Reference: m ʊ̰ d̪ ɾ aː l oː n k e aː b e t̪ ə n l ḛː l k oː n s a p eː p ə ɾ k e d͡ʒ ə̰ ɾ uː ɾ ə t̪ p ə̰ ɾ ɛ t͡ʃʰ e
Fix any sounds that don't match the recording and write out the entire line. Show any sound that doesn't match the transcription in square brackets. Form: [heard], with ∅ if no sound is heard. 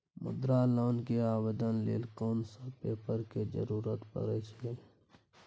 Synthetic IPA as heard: m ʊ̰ d̪ ɾ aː l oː n k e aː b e [d̪] ə n l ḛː l k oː n s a p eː p ə ɾ k e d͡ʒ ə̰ ɾ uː ɾ ə t̪ p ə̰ ɾ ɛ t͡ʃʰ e